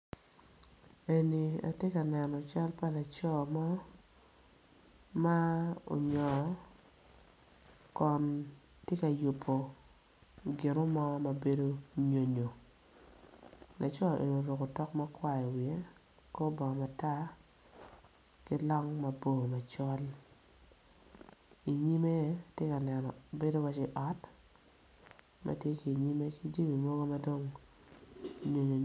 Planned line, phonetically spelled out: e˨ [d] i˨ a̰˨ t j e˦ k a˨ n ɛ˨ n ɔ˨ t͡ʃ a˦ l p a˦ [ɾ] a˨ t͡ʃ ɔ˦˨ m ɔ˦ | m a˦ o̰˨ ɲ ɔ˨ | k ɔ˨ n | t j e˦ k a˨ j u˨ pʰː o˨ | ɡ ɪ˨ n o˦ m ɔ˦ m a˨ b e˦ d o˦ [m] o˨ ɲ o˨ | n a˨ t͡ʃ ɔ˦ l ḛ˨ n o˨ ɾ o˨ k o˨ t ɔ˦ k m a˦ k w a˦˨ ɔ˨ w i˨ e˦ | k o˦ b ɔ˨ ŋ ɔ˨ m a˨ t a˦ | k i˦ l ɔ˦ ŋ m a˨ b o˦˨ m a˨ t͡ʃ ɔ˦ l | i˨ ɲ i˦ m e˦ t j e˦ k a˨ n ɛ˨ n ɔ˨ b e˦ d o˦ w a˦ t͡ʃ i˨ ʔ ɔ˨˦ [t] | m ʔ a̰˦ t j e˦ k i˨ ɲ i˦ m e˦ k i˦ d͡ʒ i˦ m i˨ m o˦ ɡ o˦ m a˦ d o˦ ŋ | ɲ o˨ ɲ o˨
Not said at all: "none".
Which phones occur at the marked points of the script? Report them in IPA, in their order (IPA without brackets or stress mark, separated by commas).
n, l, ɲ, t